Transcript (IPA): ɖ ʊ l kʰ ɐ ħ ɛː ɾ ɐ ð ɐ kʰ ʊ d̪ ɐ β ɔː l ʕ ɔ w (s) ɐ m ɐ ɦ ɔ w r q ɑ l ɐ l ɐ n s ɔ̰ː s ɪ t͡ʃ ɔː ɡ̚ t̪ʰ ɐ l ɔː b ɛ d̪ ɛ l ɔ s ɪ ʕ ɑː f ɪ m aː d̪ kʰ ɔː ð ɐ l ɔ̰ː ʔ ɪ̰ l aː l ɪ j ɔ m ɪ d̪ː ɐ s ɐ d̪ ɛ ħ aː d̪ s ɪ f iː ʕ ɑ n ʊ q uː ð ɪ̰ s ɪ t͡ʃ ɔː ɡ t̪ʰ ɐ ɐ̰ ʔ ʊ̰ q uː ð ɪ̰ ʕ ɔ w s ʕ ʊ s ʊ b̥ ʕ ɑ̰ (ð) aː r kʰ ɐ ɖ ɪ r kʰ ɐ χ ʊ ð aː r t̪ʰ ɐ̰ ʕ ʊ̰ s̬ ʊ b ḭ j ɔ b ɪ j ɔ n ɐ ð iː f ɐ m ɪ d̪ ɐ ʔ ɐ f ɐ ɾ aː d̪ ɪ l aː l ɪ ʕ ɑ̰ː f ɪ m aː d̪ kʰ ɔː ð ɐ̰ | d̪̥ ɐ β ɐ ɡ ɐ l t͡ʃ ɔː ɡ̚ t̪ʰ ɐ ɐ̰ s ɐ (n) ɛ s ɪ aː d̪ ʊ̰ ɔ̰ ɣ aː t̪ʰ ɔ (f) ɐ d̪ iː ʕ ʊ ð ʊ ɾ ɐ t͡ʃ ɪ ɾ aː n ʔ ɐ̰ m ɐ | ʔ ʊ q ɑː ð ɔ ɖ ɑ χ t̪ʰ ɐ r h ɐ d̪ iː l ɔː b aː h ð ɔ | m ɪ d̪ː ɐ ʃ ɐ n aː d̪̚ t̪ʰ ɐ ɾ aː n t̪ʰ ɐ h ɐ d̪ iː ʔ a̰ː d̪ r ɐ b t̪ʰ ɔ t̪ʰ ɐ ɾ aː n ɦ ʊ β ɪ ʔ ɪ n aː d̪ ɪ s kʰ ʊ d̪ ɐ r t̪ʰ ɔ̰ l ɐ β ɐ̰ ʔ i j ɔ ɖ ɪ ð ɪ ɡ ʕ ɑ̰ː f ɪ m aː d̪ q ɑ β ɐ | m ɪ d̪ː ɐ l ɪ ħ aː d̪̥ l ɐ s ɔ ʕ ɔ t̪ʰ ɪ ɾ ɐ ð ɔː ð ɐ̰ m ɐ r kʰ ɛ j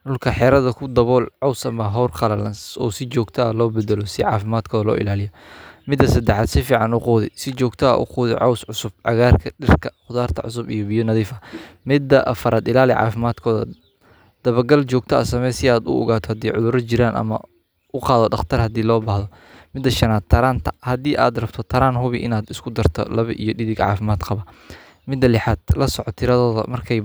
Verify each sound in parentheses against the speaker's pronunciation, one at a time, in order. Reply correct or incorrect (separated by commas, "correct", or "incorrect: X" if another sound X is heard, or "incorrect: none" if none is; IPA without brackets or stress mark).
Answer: correct, incorrect: ɣ, incorrect: m, incorrect: h